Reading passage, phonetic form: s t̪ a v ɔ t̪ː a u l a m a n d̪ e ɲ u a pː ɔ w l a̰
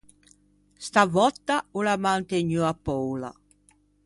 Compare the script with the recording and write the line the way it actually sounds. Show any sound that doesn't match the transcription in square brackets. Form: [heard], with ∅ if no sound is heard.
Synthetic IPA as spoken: s t̪ a v ɔ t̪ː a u l a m a n [t̪] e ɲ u a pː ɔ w l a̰